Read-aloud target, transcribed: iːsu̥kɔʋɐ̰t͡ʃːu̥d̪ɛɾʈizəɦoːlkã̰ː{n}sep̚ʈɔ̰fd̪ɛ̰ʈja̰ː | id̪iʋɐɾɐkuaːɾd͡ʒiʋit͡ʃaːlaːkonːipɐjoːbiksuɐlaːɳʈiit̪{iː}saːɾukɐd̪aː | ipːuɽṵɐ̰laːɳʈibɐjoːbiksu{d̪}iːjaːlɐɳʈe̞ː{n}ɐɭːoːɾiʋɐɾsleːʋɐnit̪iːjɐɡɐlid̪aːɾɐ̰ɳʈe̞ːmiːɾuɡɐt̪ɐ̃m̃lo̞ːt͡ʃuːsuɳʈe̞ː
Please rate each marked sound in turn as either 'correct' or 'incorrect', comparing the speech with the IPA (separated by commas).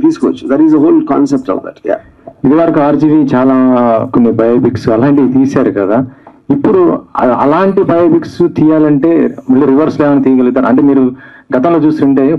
correct, correct, incorrect, incorrect